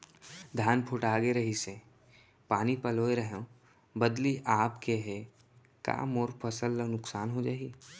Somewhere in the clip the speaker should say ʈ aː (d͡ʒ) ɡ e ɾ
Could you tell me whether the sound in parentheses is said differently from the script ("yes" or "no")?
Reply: yes